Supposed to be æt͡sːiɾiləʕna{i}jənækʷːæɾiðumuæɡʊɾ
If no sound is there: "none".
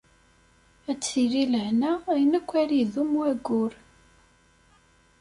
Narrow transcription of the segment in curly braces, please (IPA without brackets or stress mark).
æ